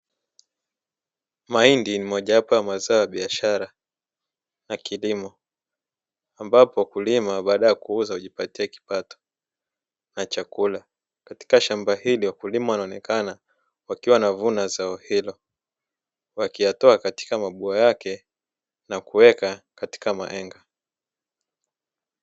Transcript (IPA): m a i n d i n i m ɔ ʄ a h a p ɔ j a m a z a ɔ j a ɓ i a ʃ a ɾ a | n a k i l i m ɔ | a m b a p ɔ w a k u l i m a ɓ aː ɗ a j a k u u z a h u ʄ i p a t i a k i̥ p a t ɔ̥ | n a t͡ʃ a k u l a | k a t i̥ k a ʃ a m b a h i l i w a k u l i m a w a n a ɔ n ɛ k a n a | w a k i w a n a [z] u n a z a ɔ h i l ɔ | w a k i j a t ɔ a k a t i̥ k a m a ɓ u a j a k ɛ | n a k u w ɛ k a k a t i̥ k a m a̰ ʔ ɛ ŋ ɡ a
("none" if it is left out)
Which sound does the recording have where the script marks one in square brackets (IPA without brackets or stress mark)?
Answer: v